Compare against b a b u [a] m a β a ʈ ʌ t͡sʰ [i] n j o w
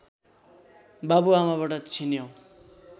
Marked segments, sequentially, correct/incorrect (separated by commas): correct, correct